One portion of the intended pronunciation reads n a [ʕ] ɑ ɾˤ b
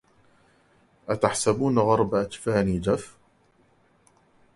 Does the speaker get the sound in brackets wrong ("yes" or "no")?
yes